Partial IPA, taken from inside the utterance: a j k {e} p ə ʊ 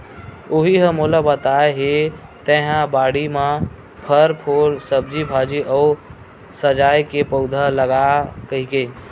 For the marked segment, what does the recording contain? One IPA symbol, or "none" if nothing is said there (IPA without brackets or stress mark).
e